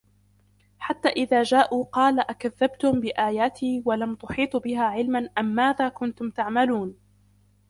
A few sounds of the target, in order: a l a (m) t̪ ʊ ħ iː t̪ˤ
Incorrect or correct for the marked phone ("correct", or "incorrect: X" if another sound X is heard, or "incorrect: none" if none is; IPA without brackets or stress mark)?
correct